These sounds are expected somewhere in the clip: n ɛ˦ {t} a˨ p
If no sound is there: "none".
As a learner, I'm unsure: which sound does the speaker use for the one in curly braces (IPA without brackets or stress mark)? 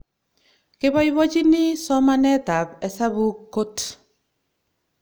t